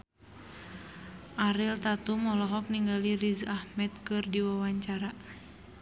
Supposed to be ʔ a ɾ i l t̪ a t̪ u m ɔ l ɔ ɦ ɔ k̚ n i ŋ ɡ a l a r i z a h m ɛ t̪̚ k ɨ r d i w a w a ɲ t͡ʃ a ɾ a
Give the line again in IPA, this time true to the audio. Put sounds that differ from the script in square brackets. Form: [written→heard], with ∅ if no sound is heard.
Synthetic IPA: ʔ a ɾ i l t̪ a t̪ u m ɔ l ɔ ɦ ɔ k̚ n i ŋ ɡ a l [a→i] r i z a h m ɛ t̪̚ k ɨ r d i w a w a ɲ t͡ʃ a ɾ a